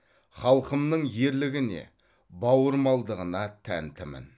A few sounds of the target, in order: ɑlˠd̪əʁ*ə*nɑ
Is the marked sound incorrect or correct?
correct